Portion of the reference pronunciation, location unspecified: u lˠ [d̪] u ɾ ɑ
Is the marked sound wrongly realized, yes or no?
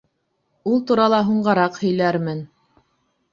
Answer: yes